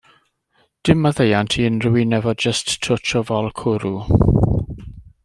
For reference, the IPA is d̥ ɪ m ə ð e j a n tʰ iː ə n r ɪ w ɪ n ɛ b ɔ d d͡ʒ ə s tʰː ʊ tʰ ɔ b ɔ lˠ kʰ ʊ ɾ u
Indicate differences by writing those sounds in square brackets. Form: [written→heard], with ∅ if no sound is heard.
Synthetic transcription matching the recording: d̥ ɪ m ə ð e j a n tʰ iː ə n r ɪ w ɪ n ɛ [b→v] ɔ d d͡ʒ ə s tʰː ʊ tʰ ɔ [b→v] ɔ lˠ kʰ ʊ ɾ u